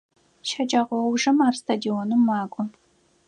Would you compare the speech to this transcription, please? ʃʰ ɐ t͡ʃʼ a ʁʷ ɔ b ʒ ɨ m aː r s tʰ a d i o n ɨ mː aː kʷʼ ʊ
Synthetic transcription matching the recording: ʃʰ ɐ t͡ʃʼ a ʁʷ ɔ w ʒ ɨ m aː r s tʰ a d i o n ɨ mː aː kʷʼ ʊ